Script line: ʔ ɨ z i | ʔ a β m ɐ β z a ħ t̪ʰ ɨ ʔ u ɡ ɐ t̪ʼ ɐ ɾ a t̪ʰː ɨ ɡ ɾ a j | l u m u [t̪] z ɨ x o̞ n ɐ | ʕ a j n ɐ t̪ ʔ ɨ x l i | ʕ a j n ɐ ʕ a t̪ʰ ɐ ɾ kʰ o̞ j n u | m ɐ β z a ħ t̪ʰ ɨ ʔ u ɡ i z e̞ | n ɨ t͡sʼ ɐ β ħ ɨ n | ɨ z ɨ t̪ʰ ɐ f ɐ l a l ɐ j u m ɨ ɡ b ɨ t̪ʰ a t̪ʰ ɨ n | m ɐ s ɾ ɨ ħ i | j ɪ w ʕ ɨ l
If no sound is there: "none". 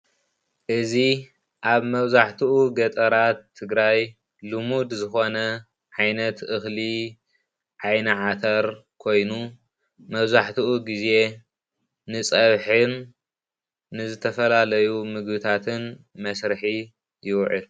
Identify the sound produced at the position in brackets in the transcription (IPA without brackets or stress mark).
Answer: d̪